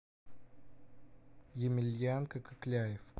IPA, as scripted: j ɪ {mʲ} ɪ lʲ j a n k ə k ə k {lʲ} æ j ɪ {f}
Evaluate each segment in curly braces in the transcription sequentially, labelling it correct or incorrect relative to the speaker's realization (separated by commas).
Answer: correct, correct, correct